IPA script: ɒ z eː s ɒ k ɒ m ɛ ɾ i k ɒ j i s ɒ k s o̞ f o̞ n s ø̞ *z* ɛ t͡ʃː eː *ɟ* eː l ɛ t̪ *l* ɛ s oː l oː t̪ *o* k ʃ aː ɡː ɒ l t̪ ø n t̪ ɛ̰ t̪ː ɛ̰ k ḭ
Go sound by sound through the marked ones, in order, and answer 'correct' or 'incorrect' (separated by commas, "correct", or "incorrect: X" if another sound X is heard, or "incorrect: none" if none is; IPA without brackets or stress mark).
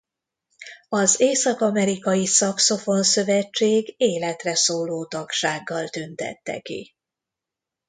incorrect: v, incorrect: ɡ, incorrect: r, incorrect: ɒ